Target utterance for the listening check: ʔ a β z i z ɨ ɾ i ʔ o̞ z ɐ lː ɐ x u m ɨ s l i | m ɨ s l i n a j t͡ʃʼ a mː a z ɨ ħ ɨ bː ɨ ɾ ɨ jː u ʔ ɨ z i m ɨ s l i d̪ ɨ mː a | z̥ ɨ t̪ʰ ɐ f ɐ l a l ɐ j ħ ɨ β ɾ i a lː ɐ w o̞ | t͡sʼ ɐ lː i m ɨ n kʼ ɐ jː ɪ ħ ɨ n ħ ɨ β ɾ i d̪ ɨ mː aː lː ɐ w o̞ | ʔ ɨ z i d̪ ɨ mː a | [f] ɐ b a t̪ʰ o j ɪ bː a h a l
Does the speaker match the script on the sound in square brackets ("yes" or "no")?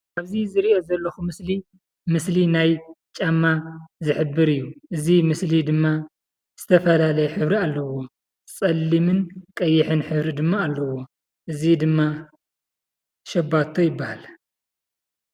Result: no